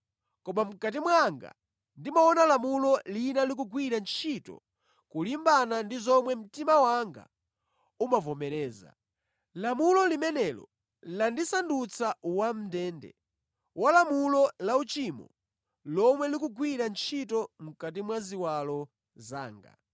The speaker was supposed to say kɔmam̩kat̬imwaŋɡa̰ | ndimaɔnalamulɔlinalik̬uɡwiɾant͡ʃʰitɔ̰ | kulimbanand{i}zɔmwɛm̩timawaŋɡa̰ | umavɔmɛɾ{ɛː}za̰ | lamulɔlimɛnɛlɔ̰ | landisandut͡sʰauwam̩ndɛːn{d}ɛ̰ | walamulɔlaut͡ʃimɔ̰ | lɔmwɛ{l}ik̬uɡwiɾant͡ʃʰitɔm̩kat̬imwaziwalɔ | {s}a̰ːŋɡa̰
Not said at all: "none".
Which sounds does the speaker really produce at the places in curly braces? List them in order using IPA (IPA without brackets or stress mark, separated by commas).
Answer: i, ɛː, d, l, z